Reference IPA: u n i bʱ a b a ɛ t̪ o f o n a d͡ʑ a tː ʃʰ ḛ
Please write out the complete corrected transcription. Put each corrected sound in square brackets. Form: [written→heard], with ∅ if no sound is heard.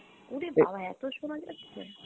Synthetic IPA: u n i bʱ a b a ɛ t̪ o [f→ʃ] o n a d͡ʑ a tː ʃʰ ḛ